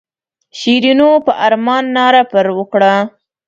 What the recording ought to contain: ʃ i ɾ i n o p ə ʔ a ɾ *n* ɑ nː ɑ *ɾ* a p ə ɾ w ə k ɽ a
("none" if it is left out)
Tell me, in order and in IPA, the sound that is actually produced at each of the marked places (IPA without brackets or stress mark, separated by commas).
m, ɾ